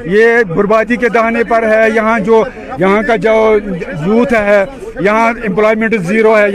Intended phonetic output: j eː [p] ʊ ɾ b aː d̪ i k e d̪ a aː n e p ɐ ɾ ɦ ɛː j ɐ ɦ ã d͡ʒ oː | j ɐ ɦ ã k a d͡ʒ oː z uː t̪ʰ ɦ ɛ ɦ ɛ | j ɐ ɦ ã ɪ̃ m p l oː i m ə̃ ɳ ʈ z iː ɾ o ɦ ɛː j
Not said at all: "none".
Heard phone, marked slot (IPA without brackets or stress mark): b